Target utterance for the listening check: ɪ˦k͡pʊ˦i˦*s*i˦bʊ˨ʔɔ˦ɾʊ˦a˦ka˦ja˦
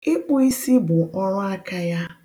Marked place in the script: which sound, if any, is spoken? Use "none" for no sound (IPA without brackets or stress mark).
s